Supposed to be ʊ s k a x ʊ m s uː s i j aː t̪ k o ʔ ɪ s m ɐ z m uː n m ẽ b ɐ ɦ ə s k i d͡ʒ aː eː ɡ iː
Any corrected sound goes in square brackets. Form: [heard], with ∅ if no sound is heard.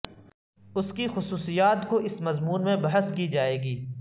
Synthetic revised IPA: ʊ s k [i] x ʊ [∅] s uː s i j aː t̪ k o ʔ ɪ s m ɐ z m uː n m ẽ b ɐ ɦ ə s k i d͡ʒ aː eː ɡ iː